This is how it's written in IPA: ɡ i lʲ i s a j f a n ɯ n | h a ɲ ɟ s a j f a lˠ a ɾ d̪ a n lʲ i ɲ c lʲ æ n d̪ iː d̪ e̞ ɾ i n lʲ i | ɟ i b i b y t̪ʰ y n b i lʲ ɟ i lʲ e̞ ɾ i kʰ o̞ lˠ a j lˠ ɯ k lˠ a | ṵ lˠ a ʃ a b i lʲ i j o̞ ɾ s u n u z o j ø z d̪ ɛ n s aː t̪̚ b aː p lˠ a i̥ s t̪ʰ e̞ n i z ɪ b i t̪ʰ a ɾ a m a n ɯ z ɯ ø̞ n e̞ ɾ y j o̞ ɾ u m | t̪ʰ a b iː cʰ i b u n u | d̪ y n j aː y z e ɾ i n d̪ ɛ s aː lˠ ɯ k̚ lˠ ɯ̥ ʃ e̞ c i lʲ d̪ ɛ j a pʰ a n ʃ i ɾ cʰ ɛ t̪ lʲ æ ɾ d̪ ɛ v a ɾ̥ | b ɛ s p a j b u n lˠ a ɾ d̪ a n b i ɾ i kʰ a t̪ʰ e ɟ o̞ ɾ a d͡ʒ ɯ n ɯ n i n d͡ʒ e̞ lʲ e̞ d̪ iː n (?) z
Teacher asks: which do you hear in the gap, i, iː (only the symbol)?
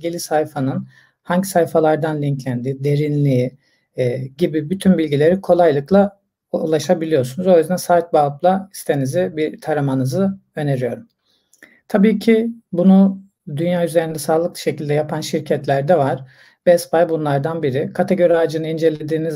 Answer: i